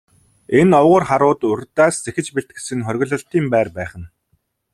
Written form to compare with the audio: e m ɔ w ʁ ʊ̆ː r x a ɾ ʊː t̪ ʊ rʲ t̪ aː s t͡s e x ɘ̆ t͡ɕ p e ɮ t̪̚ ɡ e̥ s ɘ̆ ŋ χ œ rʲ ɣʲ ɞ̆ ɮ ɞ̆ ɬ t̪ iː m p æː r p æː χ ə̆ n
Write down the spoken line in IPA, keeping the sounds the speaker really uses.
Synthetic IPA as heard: e n ɔ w ʁ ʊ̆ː r χ a ɾ ʊː t̪ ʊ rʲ t̪ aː s t͡s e x ɘ̆ t͡ɕ p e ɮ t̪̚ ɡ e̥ s ɘ̆ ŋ χ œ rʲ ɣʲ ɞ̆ ɮ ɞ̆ ɬ t̪ iː m p æː r p æː χ ə̆ n